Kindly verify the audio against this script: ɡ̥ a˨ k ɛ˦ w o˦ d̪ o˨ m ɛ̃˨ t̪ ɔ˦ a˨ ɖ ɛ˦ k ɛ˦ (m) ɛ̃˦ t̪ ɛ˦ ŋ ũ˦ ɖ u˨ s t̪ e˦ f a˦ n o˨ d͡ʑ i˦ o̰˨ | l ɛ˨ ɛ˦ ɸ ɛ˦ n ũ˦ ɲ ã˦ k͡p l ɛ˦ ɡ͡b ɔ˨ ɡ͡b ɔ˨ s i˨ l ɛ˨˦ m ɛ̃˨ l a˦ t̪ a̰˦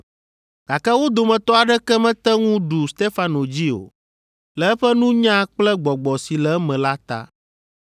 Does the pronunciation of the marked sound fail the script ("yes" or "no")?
no